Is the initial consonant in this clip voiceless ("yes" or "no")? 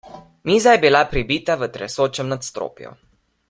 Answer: no